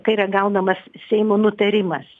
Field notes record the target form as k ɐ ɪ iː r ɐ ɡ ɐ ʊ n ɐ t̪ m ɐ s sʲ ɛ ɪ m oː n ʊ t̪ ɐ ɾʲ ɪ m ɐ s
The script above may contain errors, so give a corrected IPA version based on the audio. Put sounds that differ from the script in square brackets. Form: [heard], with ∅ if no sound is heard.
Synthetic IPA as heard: k ɐ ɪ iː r ɐ ɡ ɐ ʊ n ɐ [∅] m ɐ s sʲ ɛ ɪ m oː n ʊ t̪ ɐ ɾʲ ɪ m ɐ s